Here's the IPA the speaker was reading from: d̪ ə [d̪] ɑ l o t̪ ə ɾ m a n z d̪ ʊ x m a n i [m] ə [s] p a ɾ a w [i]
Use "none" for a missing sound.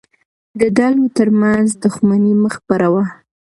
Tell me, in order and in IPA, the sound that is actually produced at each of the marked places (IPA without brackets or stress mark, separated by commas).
d̪, m, x, a